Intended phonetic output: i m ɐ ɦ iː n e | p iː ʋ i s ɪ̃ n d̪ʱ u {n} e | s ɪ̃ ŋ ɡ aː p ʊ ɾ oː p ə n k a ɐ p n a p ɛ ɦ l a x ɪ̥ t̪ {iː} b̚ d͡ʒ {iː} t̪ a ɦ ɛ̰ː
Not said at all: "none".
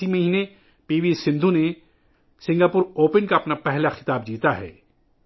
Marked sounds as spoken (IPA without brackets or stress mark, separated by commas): n, aː, iː